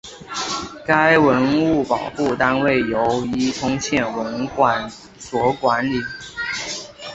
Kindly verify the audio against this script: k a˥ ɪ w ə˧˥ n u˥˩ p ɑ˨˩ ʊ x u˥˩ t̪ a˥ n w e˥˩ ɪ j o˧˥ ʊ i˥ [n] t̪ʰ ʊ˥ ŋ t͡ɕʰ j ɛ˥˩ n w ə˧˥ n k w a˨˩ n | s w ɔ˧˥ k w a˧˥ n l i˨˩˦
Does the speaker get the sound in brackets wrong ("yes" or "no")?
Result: yes